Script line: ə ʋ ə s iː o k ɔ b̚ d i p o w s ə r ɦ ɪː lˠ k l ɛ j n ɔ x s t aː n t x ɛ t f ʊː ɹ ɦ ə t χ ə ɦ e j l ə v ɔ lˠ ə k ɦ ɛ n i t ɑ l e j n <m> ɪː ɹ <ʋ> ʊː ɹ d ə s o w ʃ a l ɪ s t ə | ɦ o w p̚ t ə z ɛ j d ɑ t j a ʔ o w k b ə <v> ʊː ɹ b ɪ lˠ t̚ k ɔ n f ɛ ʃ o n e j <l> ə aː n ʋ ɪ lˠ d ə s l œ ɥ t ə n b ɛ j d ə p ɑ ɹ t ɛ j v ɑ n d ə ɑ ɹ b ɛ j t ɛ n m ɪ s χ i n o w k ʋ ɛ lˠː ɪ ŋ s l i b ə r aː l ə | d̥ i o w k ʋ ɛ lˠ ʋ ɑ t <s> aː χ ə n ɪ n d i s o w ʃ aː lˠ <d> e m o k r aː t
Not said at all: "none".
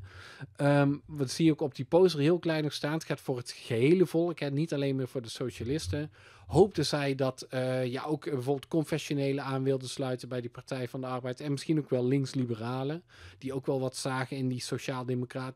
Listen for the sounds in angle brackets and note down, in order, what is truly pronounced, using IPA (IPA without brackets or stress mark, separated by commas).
m, v, v, l, s, d